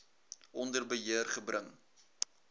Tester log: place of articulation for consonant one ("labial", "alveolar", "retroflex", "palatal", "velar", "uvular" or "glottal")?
alveolar